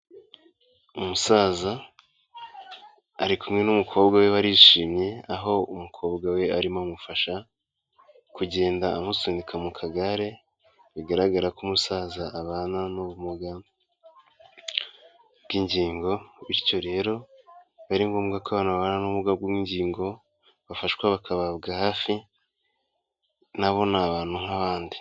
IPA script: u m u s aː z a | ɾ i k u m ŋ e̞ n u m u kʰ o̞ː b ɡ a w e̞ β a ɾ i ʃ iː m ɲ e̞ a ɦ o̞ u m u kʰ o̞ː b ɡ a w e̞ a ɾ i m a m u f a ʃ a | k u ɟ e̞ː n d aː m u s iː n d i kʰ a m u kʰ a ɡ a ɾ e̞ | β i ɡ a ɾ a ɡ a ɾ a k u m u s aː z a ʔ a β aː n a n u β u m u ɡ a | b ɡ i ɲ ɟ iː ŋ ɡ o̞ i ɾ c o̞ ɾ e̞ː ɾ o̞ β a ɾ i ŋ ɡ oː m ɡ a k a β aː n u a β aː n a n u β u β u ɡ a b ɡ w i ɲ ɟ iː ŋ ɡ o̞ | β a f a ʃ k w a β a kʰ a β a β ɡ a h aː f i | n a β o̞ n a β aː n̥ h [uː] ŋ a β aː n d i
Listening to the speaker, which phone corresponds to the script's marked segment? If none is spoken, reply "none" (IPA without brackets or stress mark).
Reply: u